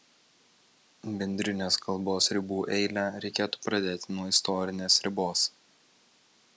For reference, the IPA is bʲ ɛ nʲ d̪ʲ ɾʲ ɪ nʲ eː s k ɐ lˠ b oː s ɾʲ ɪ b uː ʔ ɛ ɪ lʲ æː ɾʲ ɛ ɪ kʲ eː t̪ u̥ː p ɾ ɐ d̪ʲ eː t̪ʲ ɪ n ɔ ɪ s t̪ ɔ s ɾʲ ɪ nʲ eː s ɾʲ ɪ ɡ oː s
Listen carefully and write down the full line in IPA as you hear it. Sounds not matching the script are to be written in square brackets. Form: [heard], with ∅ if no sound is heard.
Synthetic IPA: bʲ ɛ nʲ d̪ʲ ɾʲ ɪ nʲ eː s k ɐ lˠ b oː s ɾʲ ɪ b uː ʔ ɛ ɪ lʲ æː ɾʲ ɛ ɪ kʲ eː t̪ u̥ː p ɾ ɐ d̪ʲ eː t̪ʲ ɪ n ɔ ɪ s t̪ ɔ [∅] ɾʲ ɪ nʲ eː s ɾʲ ɪ [b] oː s

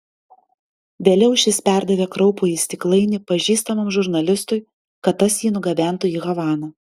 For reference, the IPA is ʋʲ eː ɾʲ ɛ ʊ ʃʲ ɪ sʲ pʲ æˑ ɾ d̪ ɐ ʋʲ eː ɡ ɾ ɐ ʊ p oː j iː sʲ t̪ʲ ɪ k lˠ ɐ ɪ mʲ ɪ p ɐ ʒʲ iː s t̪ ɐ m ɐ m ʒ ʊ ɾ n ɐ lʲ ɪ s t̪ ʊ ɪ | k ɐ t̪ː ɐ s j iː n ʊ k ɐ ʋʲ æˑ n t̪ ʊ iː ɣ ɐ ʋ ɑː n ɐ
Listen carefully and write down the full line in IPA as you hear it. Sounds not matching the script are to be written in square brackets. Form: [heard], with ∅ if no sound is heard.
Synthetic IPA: ʋʲ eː [lʲ] ɛ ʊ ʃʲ ɪ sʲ pʲ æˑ ɾ d̪ ɐ ʋʲ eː [k] ɾ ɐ ʊ p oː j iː sʲ t̪ʲ ɪ k lˠ ɐ ɪ [nʲ] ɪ p ɐ ʒʲ iː s t̪ ɐ m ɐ m ʒ ʊ ɾ n ɐ lʲ ɪ s t̪ ʊ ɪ | k ɐ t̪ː ɐ s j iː n ʊ [ɡ] ɐ ʋʲ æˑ n t̪ ʊ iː ɣ ɐ ʋ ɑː n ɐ

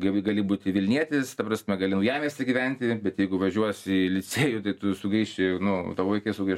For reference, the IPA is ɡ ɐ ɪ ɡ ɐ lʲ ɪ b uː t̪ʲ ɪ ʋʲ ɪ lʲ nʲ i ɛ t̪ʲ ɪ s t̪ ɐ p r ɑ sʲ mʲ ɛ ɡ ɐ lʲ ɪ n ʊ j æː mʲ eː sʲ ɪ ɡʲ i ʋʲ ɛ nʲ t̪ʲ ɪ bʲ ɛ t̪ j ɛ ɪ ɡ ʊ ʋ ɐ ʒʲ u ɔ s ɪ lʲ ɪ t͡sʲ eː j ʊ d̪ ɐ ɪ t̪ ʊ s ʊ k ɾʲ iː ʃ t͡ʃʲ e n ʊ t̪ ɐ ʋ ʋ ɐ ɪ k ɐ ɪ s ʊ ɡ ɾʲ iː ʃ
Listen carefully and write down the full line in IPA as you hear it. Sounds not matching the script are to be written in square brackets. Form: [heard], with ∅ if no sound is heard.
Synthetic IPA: ɡ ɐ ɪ ɡ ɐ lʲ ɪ b uː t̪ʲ ɪ ʋʲ ɪ lʲ nʲ i ɛ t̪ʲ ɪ s t̪ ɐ p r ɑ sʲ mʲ ɛ ɡ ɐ lʲ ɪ n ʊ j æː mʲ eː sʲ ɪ ɡʲ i ʋʲ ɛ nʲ t̪ʲ ɪ bʲ ɛ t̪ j ɛ ɪ ɡ ʊ ʋ ɐ ʒʲ u ɔ s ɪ lʲ ɪ t͡sʲ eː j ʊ [t̪] ɐ ɪ t̪ ʊ s ʊ [ɡ] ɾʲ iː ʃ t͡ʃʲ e n ʊ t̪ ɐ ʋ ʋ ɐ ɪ k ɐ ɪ s ʊ ɡ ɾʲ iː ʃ

